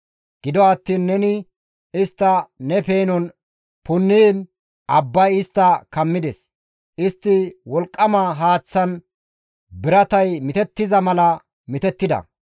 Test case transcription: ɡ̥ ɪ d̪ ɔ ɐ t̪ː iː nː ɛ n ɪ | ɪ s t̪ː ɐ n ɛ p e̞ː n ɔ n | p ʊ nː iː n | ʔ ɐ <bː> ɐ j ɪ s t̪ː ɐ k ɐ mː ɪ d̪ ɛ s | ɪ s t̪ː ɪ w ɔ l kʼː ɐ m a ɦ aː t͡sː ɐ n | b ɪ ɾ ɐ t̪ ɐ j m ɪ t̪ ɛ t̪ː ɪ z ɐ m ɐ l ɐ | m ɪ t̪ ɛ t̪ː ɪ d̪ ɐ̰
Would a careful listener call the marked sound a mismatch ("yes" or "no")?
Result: no